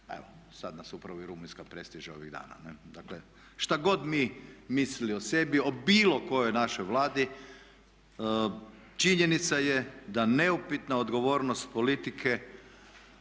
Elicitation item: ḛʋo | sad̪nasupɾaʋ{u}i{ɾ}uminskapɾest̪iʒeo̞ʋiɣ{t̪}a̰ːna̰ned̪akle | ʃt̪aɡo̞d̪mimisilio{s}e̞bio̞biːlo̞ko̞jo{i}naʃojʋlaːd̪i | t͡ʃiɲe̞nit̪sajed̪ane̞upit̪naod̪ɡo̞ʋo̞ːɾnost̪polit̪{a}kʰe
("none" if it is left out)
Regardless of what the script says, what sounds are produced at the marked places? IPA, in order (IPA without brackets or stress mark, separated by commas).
o, ɾ, d̪, s, j, i